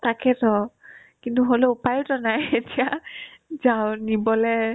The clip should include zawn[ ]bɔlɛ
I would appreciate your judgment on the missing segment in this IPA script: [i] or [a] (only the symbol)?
i